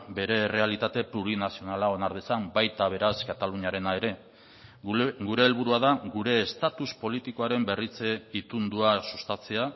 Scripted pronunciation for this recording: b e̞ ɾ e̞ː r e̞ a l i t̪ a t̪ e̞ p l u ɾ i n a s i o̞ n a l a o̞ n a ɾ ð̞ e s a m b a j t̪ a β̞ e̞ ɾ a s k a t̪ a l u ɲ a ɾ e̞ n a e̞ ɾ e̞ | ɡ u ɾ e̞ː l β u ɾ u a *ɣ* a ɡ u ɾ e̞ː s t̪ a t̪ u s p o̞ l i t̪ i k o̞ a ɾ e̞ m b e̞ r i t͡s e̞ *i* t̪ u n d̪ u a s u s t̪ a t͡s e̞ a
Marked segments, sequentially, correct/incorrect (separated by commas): incorrect, correct